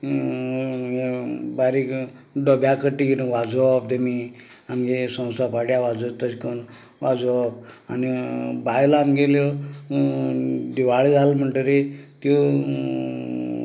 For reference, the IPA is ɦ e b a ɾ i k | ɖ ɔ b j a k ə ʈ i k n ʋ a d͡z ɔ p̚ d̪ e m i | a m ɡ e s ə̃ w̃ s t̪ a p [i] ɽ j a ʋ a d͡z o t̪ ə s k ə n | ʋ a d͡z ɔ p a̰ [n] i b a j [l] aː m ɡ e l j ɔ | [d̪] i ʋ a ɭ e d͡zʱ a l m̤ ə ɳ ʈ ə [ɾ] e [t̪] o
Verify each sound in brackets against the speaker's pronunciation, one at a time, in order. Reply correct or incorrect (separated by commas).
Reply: incorrect, correct, correct, correct, correct, correct